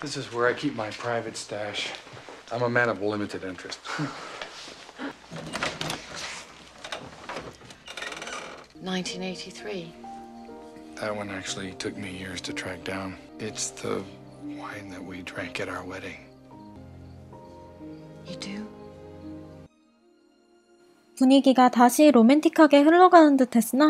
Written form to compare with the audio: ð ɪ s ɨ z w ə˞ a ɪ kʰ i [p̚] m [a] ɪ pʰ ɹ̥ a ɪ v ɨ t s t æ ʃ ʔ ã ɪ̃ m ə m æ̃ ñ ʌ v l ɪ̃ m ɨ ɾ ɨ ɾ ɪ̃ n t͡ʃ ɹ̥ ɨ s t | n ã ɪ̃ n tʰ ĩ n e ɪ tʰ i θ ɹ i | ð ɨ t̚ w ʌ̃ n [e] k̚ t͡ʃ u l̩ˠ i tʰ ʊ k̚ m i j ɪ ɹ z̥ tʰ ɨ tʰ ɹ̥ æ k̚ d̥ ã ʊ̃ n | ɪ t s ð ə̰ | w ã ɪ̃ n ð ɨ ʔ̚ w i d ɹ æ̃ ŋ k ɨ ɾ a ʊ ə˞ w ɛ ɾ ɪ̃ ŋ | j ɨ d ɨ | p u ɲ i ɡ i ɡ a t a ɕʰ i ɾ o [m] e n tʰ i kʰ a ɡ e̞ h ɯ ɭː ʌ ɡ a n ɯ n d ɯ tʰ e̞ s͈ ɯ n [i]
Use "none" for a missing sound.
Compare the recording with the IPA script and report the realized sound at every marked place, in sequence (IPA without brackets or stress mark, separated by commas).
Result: p̚, a, æ, m, a